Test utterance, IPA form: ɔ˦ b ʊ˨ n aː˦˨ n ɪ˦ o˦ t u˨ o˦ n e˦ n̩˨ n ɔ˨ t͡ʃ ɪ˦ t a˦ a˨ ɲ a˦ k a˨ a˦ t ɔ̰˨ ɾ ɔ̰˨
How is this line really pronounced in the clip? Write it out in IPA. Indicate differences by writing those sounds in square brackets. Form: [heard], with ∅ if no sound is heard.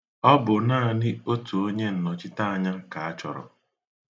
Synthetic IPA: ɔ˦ b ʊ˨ n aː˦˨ n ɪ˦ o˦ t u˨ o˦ [ɲ] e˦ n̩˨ n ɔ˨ t͡ʃ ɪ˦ t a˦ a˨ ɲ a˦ k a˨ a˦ [t͡ʃ] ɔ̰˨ ɾ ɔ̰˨